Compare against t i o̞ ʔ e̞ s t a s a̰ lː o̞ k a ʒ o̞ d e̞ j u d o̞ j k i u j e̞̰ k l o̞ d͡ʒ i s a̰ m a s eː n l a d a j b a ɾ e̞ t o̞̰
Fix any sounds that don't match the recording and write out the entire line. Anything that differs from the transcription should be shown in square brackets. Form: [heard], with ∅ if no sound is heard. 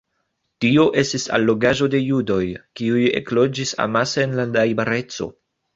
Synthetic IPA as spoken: t i o̞ ʔ e̞ s t [i] s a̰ lː o̞ [ɡ] a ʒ o̞ d e̞ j u d o̞ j k i u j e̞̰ k l o̞ d͡ʒ i s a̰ m a s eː n l a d a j b a ɾ e̞ [t͡s] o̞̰